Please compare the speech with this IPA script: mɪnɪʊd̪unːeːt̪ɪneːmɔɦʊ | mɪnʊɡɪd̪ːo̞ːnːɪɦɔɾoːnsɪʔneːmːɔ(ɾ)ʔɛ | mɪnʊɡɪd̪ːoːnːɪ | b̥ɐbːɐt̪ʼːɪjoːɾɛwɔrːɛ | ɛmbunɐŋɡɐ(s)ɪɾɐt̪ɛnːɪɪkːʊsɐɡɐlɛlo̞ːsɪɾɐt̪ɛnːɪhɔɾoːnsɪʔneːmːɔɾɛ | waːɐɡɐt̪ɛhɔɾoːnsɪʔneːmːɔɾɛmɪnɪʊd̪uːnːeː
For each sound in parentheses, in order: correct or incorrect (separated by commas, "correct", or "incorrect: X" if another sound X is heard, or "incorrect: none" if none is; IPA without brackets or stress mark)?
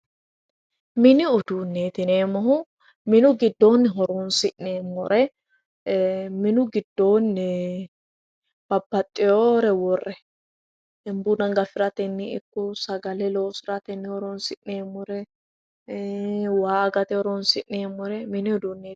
correct, incorrect: f